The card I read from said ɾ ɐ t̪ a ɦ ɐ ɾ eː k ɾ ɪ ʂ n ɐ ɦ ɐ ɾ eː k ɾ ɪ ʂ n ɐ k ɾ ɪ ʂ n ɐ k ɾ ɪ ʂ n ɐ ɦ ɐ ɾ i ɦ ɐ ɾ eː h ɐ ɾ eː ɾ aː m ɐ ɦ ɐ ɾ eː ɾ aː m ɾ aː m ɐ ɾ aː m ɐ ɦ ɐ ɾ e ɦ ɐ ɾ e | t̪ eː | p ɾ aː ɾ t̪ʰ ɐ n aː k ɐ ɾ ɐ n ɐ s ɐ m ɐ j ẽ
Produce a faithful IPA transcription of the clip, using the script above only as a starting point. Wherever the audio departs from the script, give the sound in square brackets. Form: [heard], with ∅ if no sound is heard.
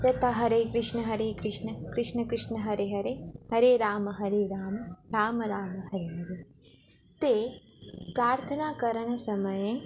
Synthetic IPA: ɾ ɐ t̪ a ɦ ɐ ɾ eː k ɾ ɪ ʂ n ɐ ɦ ɐ ɾ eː k ɾ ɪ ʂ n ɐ k ɾ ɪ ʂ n ɐ k ɾ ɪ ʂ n ɐ ɦ ɐ ɾ [e] ɦ ɐ ɾ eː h ɐ ɾ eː ɾ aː m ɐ ɦ ɐ ɾ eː ɾ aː m ɾ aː m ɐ ɾ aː m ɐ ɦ ɐ ɾ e ɦ ɐ ɾ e | t̪ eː | p ɾ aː ɾ t̪ʰ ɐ n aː k ɐ ɾ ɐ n ɐ s ɐ m ɐ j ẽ